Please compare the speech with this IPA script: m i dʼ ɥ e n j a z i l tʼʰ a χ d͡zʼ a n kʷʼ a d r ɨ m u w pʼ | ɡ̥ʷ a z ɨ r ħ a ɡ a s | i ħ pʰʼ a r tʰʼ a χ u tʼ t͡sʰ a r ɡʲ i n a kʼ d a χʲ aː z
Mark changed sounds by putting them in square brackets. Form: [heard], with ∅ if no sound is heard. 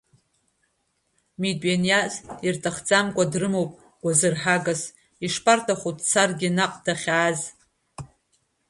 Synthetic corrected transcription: m i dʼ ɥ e n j a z i [r] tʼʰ a χ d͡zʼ a [m] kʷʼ a d r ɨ m [o] w pʼ | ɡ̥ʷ a z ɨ r ħ a ɡ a s | i [ʂ] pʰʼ a r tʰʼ a χ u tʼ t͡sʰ a r ɡʲ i n a [qʼ] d a χʲ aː z